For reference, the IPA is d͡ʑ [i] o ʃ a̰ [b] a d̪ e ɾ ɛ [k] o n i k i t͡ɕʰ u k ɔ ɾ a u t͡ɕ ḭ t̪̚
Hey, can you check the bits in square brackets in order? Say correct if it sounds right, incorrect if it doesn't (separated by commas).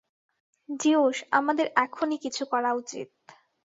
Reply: correct, incorrect, incorrect